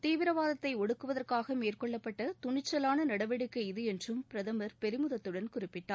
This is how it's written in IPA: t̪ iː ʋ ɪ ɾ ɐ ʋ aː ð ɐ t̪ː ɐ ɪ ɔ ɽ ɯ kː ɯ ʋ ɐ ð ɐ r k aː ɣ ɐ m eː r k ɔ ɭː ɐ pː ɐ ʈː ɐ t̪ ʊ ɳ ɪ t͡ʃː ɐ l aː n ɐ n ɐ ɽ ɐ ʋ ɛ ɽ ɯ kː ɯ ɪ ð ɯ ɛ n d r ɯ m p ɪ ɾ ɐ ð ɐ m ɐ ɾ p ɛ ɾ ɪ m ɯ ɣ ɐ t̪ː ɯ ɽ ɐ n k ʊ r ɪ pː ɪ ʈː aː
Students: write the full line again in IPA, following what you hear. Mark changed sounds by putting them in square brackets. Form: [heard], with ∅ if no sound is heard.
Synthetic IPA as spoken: t̪ iː ʋ ɪ ɾ ɐ ʋ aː ð ɐ t̪ː ɐ ɪ ɔ ɽ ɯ kː ɯ ʋ ɐ ð ɐ r k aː ɣ ɐ m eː r k ɔ ɭː ɐ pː ɐ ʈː ɐ t̪ ʊ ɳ ɪ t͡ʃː ɐ l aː n ɐ n ɐ ɽ ɐ ʋ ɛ ɽ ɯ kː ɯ ɪ ð ɯ ɛ n d r ɯ m p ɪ ɾ ɐ ð ɐ m ɐ ɾ p ɛ ɾ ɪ m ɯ [ð] ɐ t̪ː ɯ ɽ ɐ n k ʊ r ɪ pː ɪ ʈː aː